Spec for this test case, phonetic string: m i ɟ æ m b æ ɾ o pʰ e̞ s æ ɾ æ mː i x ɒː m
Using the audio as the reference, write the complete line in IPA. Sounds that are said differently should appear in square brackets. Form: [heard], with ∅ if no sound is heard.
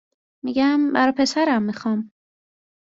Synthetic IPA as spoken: m i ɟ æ m b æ ɾ [ɒ] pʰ e̞ s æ ɾ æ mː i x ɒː m

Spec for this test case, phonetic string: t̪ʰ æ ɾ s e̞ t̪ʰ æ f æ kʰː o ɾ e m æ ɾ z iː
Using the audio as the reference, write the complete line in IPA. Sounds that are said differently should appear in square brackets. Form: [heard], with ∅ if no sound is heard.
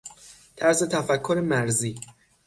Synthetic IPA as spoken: t̪ʰ æ ɾ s e̞ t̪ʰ æ f æ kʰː o ɾ e m æ ɾ z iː

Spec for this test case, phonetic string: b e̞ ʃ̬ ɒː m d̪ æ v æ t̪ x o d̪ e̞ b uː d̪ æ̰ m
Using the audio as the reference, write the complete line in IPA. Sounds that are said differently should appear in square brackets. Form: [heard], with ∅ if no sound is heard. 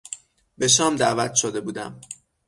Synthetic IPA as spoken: b e̞ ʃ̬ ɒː m d̪ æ v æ t̪ [ʃ] o d̪ e̞ b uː d̪ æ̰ m

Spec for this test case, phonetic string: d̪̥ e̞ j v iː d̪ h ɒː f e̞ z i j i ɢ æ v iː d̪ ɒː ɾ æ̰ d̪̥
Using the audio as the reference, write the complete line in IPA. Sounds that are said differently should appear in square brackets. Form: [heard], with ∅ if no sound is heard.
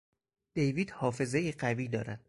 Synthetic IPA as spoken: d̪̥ e̞ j v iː d̪ h ɒː f e̞ z [e] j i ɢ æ v iː d̪ ɒː ɾ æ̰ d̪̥

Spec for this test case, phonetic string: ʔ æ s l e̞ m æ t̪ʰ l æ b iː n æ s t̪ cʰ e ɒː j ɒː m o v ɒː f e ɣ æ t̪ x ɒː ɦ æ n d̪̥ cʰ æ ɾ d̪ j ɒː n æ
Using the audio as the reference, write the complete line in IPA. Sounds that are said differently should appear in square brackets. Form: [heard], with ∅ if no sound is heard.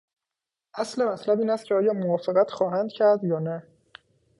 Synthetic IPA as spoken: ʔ æ s l e̞ m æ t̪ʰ l æ b iː n æ s t̪ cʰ e ɒː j ɒː m o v ɒː f e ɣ æ t̪ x ɒː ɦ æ n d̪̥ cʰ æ ɾ d̪ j ɒː n æ

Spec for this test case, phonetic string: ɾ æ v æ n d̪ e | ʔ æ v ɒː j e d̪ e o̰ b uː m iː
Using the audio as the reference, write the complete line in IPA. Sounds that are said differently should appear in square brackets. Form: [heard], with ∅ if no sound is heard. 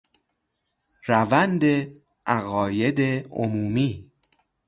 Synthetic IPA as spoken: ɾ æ v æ n d̪ e | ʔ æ [ɣ] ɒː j e d̪ e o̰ [m] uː m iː

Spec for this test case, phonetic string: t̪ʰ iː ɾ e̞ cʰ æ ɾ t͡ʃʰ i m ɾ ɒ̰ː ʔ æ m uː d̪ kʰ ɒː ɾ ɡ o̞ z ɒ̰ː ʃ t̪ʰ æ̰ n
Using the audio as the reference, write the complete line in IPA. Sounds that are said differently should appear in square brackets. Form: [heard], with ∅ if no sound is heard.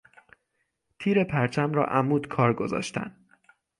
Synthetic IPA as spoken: t̪ʰ iː ɾ e̞ [pʰ] æ ɾ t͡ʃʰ [æ] m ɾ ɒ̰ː ʔ æ m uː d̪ kʰ ɒː ɾ ɡ o̞ z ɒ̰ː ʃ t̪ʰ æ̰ n

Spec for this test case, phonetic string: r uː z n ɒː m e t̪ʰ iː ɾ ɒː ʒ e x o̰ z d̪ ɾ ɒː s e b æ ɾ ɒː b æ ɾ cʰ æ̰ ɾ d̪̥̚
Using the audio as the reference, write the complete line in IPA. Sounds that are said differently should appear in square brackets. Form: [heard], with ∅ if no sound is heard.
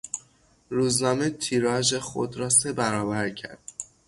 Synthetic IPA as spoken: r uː z n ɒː m e t̪ʰ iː ɾ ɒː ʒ e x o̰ [∅] d̪ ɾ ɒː s e b æ ɾ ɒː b æ ɾ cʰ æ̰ ɾ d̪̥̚

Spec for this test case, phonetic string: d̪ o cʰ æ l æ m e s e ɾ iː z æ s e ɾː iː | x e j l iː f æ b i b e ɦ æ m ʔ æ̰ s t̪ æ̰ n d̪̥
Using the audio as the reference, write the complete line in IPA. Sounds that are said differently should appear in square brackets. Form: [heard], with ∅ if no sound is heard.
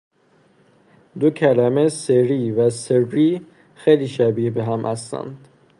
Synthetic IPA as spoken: d̪ o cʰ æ l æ m e s e ɾ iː [v] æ s e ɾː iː | x e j l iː [ʃ] æ b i b e ɦ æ m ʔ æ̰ s t̪ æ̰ n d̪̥

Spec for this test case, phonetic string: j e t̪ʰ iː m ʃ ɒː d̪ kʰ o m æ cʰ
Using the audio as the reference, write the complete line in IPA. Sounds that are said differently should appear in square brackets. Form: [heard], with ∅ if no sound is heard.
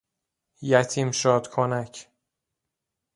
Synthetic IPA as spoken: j [æ] t̪ʰ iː m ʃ ɒː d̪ kʰ o [n] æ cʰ

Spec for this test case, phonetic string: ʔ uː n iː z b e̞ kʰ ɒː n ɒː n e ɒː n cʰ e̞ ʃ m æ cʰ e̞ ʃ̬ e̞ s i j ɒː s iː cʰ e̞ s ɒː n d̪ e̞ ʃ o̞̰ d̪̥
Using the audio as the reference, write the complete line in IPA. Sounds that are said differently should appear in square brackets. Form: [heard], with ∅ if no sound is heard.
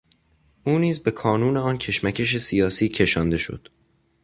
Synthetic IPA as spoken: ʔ uː n iː z b e̞ kʰ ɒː n [uː] n e ɒː n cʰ e̞ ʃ m æ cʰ e̞ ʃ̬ e̞ s i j ɒː s iː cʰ e̞ [ʃ] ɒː n d̪ e̞ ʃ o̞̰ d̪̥

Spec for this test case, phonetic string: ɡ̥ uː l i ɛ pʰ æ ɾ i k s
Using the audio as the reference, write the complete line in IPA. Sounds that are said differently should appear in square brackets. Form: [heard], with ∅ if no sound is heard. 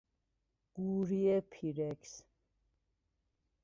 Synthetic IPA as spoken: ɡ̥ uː [ɾ] i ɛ pʰ [i] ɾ [ɛ] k s

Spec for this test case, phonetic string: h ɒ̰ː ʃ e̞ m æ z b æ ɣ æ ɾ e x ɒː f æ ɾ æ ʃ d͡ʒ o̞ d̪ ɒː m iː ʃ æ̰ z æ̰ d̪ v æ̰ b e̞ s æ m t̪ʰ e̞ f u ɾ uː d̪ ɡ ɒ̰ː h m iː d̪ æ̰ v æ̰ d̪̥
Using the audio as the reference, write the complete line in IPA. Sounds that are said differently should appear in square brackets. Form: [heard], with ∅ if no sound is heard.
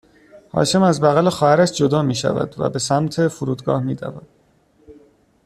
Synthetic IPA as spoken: h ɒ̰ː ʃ e̞ m æ z b æ ɣ æ [l] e x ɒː [h] æ ɾ æ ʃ d͡ʒ o̞ d̪ ɒː m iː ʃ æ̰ [v] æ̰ d̪ v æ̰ b e̞ s æ m t̪ʰ e̞ f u ɾ uː d̪ ɡ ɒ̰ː h m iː d̪ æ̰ v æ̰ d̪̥

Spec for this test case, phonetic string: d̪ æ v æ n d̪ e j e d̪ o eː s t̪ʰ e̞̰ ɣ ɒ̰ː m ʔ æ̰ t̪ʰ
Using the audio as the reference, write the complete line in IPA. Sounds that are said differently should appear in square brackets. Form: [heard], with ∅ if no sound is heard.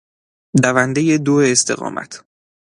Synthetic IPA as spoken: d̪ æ v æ n d̪ e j e d̪ o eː s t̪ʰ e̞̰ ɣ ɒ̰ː m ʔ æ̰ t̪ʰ

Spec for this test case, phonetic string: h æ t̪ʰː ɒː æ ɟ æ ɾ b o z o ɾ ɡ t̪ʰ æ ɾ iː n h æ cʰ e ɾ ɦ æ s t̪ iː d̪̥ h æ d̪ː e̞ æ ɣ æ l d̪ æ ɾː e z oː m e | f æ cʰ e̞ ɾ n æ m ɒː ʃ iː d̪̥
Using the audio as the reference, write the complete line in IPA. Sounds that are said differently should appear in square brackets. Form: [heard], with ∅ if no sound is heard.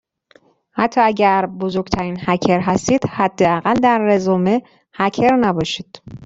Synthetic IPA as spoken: h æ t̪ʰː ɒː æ ɟ æ ɾ b o z o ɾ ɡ t̪ʰ æ ɾ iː n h æ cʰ e ɾ ɦ æ s t̪ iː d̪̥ h æ d̪ː e̞ æ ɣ æ l d̪ æ ɾː e z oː m e | [h] æ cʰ e̞ ɾ n æ [b] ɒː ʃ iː d̪̥

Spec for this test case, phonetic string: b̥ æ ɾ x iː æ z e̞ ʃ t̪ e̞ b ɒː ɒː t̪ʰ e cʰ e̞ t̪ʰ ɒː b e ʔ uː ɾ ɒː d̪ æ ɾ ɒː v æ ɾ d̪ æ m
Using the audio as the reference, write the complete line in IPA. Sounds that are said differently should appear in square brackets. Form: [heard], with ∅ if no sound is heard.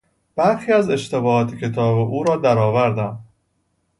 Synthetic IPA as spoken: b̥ æ ɾ x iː æ z e̞ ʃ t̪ e̞ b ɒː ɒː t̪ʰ e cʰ e̞ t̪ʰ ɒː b e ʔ uː ɾ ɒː d̪ æ ɾ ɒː v æ ɾ d̪ æ m

